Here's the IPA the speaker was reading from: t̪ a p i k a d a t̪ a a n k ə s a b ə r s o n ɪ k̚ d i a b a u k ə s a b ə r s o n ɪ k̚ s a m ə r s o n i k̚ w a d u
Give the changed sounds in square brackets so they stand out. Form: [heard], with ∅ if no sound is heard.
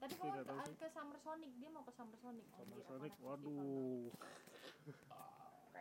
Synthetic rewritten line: t̪ a p i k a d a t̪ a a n k ə s a [m] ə r s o n ɪ k̚ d i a [m] a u k ə s a [m] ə r s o n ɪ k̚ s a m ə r s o n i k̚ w a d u